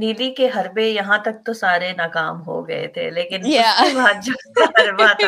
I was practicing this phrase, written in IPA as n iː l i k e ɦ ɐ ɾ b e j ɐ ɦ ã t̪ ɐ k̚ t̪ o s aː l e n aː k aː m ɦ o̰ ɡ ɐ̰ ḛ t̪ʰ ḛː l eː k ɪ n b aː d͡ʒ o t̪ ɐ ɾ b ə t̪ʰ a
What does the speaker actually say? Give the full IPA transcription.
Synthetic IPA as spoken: n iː l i k e ɦ ɐ ɾ b e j ɐ ɦ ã t̪ ɐ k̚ t̪ o s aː ɾ e n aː k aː m ɦ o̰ ɡ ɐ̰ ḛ t̪ʰ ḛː l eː k ɪ n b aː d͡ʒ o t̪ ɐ ɾ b a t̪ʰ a